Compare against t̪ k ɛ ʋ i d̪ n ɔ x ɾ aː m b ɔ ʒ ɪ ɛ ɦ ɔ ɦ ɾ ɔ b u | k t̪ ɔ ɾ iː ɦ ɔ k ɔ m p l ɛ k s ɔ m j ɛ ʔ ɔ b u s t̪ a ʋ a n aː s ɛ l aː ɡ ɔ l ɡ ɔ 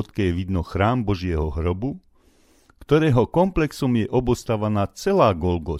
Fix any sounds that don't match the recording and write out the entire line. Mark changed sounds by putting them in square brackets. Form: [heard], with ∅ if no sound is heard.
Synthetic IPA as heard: t̪ k ɛ ʋ i d̪ n ɔ x ɾ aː m b ɔ ʒ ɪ ɛ ɦ ɔ ɦ ɾ ɔ b u | k t̪ ɔ ɾ [ɛː] ɦ ɔ k ɔ m p l ɛ k s ɔ m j ɛ ʔ ɔ b [ɔ] s t̪ a ʋ a n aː [t͡s] ɛ l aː ɡ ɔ l ɡ ɔ